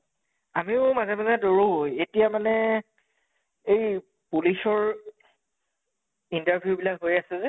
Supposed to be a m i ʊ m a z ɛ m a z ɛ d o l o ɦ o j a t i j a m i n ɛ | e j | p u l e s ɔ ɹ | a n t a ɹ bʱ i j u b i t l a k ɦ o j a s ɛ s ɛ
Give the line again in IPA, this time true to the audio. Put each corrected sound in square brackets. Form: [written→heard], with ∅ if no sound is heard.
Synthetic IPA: a m i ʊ m a z ɛ m a z ɛ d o [l→ɹ] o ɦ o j [a→e] t i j a m [i→a] n ɛ | e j | p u l [e→i] s ɔ ɹ | [a→i] n t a ɹ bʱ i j u b i [t→∅] l a k ɦ o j a s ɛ [s→z] ɛ